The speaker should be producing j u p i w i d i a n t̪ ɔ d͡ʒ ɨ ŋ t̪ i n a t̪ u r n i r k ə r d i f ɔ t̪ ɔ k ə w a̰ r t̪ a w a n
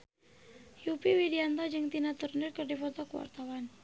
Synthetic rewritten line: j u p i w i d i a n t̪ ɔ d͡ʒ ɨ ŋ t̪ i n a t̪ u r n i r k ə r d i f ɔ t̪ ɔ k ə w a̰ r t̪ a w a n